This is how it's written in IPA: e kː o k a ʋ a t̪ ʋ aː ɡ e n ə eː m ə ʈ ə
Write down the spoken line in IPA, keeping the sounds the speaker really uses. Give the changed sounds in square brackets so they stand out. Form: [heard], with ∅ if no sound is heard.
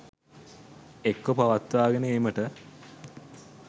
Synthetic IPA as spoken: e kː o [p] a ʋ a t̪ ʋ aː ɡ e n ə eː m ə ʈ ə